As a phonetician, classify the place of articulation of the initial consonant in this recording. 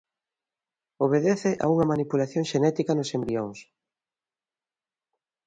labial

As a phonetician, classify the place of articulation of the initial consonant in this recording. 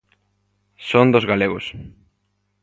alveolar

